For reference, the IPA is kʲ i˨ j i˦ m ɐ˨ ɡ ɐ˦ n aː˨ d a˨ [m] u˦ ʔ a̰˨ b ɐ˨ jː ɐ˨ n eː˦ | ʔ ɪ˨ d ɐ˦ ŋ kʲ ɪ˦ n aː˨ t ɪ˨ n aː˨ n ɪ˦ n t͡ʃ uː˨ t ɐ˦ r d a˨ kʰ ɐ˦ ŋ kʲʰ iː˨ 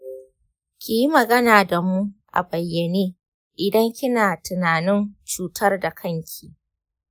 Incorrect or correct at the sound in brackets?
correct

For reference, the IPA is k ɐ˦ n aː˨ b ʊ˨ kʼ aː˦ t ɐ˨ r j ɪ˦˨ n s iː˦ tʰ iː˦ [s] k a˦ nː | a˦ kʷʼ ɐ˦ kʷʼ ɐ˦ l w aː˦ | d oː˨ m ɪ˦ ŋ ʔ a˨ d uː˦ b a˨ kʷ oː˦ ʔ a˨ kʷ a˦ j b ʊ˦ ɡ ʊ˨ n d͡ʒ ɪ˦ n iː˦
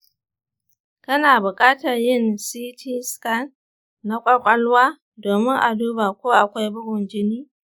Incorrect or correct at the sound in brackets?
correct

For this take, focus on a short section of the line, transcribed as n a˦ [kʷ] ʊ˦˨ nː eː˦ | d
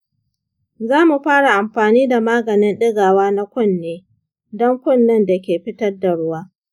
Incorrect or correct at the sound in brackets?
correct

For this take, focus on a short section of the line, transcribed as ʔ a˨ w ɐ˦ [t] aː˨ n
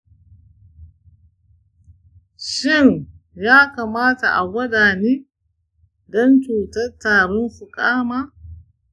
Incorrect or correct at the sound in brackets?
incorrect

